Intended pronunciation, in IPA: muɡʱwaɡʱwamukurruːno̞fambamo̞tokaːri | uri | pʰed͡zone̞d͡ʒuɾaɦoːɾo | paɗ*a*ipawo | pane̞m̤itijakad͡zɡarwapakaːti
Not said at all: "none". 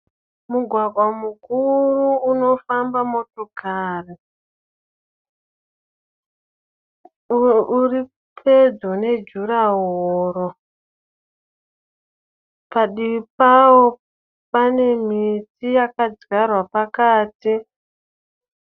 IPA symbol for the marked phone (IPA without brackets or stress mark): i